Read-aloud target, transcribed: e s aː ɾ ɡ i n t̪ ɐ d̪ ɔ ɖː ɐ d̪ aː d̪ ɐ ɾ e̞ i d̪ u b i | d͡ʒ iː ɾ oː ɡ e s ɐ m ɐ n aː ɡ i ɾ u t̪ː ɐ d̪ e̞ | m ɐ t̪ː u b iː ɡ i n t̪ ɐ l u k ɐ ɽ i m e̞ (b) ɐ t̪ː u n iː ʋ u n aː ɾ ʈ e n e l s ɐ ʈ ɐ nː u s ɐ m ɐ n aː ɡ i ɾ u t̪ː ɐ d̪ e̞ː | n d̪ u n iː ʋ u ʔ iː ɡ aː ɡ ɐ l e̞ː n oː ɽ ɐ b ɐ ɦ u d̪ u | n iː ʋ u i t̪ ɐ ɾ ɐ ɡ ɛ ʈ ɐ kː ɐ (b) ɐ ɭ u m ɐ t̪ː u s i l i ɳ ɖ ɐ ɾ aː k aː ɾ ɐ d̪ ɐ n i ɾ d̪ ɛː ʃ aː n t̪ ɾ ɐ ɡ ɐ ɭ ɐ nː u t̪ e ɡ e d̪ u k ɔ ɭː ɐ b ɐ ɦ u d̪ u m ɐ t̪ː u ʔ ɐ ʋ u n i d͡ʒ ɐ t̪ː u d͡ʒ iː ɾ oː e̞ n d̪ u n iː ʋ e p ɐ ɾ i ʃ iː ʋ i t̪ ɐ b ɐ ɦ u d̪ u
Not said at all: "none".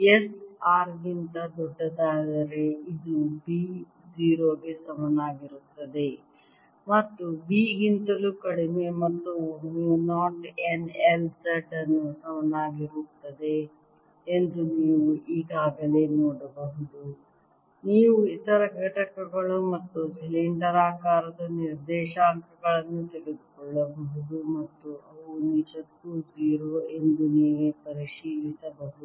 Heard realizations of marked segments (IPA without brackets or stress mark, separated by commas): m, ɡ